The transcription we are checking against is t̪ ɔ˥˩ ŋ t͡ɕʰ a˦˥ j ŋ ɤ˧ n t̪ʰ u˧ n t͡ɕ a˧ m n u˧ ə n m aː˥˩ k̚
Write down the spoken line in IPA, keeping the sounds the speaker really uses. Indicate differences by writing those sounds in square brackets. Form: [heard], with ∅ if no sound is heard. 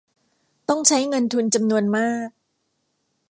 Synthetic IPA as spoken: t̪ ɔ˥˩ ŋ t͡ɕʰ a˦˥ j ŋ ɤ˧ n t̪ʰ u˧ n t͡ɕ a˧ m n u˧ ə n m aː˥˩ k̚